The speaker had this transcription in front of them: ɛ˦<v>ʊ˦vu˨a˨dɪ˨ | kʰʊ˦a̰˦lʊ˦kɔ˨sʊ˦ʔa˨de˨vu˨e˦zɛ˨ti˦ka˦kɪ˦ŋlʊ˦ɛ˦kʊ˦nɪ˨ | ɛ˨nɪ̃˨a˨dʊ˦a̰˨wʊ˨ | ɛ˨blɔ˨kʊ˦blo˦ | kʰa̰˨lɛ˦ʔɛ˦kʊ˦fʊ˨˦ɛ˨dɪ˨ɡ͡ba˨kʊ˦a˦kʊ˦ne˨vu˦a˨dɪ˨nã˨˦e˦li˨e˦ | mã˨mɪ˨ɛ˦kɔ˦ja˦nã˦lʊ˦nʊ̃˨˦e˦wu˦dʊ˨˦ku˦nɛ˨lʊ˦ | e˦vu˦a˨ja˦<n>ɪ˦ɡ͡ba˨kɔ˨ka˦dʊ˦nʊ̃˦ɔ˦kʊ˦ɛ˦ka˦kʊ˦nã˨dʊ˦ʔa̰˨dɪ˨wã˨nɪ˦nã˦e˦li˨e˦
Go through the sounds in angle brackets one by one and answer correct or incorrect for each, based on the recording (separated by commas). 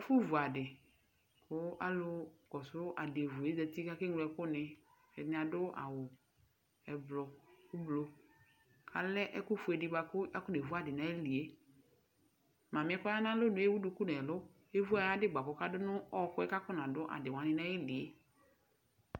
incorrect, incorrect